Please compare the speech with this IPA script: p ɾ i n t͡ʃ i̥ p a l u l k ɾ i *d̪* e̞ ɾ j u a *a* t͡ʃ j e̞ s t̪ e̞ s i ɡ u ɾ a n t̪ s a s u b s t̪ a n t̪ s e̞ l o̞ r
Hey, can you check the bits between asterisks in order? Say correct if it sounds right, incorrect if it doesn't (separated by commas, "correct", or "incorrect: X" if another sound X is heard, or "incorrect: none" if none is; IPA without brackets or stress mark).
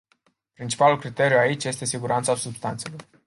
incorrect: t̪, incorrect: i